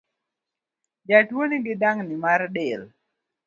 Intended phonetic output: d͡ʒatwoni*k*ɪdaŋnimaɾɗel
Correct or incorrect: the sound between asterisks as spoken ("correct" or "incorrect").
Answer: incorrect